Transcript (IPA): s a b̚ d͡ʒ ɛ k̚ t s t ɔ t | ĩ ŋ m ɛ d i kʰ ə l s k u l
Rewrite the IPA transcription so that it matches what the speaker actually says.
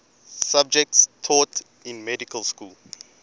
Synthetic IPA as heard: s a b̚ d͡ʒ ɛ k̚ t s tʰ ɔ t | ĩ n m ɛ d i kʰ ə l s k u l